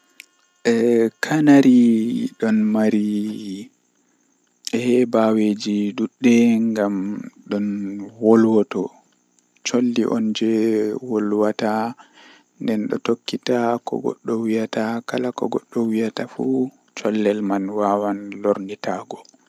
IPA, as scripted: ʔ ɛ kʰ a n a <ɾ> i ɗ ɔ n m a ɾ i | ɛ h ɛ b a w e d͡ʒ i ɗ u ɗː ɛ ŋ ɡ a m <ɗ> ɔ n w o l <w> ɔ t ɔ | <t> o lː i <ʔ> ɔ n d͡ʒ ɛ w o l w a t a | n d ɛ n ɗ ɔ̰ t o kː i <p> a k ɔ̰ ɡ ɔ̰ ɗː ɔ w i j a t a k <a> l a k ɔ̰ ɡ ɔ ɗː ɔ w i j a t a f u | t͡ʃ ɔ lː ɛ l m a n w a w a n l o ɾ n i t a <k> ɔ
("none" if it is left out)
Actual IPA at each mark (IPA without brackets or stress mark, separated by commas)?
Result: ɾ, ɗ, w, t͡ʃ, ʔ, t, a, ɡ